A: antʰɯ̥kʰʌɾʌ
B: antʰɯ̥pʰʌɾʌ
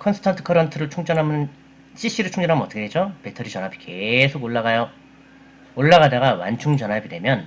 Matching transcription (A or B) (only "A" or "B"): A